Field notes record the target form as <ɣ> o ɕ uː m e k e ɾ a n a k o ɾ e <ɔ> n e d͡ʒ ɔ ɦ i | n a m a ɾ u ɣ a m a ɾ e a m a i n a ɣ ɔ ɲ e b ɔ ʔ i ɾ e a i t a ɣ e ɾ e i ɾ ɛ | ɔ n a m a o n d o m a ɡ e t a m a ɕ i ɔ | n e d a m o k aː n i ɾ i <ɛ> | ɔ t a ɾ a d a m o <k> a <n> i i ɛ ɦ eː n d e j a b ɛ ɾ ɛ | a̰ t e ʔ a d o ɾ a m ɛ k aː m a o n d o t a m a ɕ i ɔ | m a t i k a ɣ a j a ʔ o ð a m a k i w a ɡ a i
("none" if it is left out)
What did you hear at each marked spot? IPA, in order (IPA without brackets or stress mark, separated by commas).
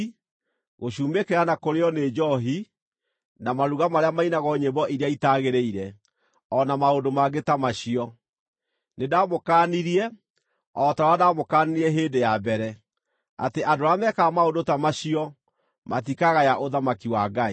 ɣ, ɔ, ɛ, k, n